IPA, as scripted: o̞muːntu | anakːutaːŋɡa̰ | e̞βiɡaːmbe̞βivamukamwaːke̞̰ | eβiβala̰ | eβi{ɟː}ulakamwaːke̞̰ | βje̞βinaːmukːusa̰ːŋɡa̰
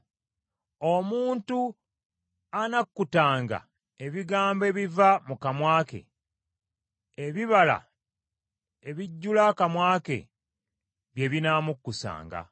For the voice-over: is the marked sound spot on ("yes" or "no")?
yes